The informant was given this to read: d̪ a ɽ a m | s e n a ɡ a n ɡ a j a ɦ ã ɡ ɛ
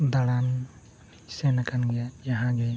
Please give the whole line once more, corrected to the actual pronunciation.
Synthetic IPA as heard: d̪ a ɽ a n | s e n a k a n ɡ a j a ɦ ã ɡ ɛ

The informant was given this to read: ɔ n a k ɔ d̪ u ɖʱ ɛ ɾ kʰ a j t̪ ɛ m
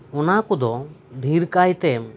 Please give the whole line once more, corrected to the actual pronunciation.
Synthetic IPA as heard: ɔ n a k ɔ d̪ ɔ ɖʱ i ɾ k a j t̪ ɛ m

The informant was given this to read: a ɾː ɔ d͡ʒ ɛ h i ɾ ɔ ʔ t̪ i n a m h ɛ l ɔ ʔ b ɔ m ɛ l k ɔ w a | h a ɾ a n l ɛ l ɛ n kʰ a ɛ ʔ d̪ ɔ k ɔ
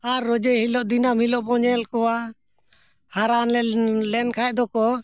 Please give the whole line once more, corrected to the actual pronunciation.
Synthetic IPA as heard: a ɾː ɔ d͡ʒ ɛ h i l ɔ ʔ d̪ i n a m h i l ɔ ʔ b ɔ ɲ ɛ l k ɔ w a | h a ɾ a n l ɛ l ɛ n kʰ a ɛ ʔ d̪ ɔ k ɔ

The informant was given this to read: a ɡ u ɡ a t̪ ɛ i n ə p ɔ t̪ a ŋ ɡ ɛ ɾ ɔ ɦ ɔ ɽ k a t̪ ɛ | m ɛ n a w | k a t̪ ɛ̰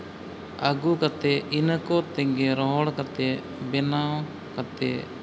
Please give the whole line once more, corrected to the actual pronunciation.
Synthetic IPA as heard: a ɡ u k a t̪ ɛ i n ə k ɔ t̪ ɛ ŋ ɡ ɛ ɾ ɔ ɦ ɔ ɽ k a t̪ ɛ | b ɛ n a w | k a t̪ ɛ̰

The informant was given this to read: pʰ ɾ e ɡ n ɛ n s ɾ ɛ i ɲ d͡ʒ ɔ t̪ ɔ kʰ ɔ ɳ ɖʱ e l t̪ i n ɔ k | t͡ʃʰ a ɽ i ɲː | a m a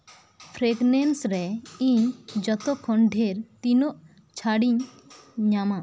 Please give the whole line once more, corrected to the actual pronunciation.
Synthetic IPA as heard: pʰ ɾ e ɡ n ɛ n s ɾ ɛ i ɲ d͡ʒ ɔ t̪ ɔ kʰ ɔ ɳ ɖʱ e ɾ t̪ i n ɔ ʔ | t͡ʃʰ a ɽ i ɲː | a m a

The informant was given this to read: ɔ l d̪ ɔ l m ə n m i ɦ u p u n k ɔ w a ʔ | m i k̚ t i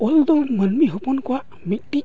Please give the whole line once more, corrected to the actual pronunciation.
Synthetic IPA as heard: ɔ l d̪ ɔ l m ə n m i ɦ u p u n k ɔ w a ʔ | m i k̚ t i

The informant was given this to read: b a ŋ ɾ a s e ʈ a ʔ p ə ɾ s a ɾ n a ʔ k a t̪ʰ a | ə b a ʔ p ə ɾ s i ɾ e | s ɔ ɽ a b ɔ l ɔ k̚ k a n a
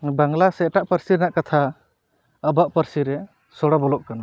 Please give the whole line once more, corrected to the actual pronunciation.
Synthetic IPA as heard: b a ŋ l a s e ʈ a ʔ p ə ɾ s i ɾ n a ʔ k a t̪ʰ a | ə b a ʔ p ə ɾ s i ɾ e | s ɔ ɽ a b ɔ l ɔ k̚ k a n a

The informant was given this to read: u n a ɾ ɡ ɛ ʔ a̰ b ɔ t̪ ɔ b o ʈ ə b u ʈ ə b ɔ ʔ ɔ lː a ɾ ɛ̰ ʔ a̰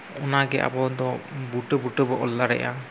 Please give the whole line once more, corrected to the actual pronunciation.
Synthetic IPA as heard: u n a ɡ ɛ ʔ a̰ b ɔ d̪ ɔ b u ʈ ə b u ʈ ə b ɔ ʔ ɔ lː a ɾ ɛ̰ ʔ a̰

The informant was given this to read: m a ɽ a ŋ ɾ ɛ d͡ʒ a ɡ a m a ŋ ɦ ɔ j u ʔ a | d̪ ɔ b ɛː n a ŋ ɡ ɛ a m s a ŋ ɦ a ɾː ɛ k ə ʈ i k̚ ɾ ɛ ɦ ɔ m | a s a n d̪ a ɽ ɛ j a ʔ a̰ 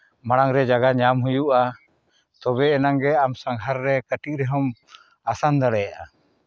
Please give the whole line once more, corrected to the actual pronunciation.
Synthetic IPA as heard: m a ɽ a ŋ ɾ ɛ d͡ʒ a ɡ a ɲ a m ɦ u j u ʔ a | t̪ ɔ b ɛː n a ŋ ɡ ɛ a m s a ŋ ɦ a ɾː ɛ k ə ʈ i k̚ ɾ ɛ ɦ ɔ m | a s a n d̪ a ɽ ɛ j a ʔ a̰

